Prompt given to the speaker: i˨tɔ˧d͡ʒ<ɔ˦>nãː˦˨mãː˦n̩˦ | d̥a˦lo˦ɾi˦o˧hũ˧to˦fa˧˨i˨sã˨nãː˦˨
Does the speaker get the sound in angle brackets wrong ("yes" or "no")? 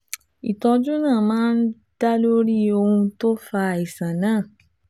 yes